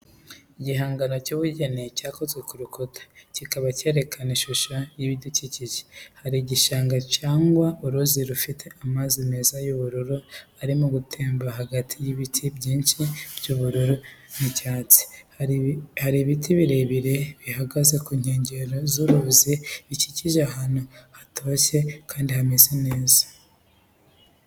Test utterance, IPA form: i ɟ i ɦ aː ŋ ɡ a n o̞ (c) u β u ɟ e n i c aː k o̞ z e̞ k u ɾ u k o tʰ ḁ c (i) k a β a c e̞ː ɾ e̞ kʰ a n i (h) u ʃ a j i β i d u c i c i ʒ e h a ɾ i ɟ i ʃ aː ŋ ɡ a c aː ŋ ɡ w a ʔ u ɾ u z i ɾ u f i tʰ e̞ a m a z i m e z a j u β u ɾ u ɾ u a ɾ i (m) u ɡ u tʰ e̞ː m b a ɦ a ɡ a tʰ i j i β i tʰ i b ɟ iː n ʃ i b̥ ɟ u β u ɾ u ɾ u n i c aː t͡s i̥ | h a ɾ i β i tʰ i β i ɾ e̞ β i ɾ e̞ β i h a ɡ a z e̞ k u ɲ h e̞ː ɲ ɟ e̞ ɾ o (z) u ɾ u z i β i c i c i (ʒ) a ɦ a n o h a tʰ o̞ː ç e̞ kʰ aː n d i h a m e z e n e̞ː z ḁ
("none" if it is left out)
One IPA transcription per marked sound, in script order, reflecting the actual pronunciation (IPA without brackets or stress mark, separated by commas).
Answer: c, i, ʃ, m, z, ʒ